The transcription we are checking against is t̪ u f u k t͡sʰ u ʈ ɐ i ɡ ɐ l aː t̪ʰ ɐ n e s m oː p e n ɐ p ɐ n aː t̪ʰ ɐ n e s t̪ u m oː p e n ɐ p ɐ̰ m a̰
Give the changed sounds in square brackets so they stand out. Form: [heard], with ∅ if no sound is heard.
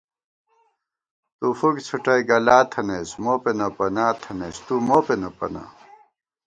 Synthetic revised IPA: t̪ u f u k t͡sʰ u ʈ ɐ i ɡ ɐ l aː t̪ʰ ɐ n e s m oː p e n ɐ p ɐ n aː t̪ʰ ɐ n e s t̪ u m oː p e n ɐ p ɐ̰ [n] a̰